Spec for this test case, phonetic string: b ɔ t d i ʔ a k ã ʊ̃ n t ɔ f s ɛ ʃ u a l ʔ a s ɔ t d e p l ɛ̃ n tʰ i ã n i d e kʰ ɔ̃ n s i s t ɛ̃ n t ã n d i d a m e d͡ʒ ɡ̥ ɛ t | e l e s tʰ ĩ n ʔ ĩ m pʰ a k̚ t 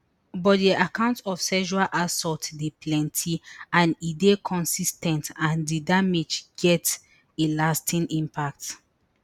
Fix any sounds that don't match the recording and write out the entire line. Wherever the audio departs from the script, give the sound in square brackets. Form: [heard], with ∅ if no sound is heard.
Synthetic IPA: b ɔ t d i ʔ a k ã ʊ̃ n t ɔ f s ɛ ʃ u a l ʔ a s ɔ t d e p l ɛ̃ n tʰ i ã n i d e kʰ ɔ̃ n s i s t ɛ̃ n t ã n d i d a m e d͡ʒ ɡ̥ ɛ t | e l [a] s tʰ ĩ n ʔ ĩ m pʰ a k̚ t